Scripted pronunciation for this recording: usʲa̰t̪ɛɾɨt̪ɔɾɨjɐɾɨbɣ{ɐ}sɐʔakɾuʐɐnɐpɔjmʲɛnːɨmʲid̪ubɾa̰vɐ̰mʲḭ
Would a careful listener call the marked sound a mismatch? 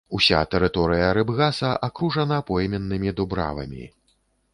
yes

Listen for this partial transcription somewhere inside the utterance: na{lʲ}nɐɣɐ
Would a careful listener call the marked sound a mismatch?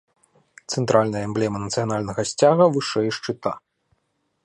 no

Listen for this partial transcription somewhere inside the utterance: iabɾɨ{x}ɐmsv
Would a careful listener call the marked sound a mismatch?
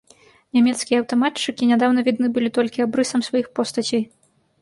yes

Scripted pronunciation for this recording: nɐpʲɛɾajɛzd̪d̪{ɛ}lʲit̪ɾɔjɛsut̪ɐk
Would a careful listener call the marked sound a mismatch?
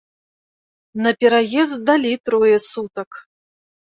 yes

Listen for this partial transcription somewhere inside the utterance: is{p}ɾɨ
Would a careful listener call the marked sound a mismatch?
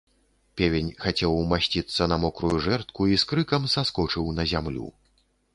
yes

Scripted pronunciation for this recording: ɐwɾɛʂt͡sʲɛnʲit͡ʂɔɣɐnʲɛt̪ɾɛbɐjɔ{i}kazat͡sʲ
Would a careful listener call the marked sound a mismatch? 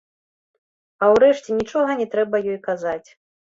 yes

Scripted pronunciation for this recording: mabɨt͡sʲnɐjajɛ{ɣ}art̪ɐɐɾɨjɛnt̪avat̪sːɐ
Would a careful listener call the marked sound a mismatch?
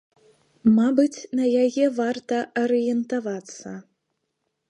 yes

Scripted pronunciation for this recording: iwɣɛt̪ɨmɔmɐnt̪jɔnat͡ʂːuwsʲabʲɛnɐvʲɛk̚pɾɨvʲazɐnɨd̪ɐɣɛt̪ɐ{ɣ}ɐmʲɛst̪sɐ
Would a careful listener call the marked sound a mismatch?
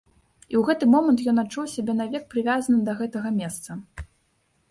no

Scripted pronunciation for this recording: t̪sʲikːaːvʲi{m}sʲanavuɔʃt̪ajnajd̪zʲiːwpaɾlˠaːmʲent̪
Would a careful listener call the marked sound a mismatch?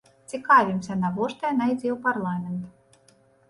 no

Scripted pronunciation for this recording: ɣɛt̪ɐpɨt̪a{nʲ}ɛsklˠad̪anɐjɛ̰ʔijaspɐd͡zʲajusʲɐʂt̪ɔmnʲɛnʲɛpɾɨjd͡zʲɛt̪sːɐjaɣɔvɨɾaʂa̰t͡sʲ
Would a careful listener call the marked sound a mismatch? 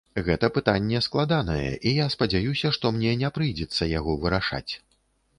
yes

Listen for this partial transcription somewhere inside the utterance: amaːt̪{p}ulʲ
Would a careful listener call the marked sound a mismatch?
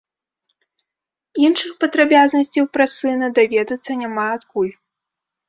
yes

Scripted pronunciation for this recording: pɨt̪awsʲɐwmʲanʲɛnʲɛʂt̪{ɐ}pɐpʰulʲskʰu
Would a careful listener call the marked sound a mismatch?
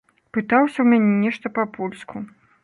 no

